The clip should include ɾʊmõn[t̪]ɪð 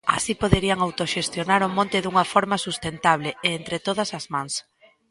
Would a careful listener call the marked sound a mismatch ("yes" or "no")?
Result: no